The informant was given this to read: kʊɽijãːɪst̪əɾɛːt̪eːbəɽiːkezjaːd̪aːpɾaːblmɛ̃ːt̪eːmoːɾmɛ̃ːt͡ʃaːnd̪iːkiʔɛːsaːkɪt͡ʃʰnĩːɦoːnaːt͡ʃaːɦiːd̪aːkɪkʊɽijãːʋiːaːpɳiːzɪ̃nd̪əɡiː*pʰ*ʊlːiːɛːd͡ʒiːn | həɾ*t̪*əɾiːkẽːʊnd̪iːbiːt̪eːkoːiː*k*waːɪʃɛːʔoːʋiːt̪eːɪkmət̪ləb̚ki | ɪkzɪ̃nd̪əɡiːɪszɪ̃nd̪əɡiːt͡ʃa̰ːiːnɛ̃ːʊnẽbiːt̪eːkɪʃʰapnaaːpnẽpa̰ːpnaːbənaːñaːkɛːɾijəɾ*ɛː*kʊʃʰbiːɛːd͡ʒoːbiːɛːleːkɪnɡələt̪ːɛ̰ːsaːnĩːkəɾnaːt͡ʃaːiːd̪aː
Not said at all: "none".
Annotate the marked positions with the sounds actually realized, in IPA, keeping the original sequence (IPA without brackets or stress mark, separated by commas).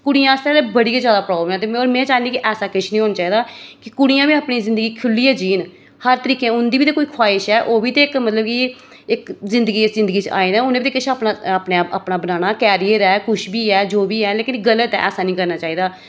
kʰ, t̪, kʰ, ɛː